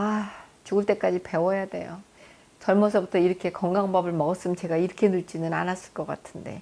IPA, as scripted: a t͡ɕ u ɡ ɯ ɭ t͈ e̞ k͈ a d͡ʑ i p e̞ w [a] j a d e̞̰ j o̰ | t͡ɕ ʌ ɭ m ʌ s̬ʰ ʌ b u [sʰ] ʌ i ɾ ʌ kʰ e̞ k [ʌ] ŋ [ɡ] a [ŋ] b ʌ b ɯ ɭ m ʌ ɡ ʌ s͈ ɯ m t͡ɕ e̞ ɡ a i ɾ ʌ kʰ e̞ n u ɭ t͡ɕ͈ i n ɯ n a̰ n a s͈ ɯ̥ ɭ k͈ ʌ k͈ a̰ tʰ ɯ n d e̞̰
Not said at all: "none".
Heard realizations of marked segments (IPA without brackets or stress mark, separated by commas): ʌ, tʰ, ʌ, ɡ, ŋ